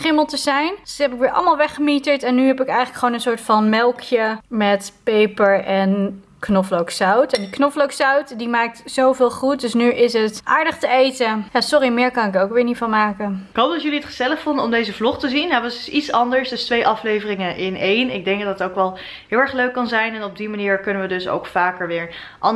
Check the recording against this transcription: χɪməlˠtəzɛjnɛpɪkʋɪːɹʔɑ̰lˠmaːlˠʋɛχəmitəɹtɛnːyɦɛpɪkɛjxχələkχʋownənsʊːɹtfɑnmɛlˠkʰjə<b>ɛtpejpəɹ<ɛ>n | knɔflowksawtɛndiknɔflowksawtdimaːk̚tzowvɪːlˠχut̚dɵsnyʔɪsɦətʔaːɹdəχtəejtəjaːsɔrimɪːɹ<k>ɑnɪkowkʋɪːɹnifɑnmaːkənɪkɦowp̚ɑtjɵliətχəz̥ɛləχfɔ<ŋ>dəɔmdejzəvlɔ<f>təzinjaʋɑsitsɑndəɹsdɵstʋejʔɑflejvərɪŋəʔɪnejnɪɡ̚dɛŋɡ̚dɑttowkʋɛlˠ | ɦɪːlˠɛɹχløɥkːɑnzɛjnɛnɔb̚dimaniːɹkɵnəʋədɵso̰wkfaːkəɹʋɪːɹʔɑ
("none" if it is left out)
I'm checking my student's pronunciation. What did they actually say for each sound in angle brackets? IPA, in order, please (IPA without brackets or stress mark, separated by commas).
m, ɛ, k, n, χ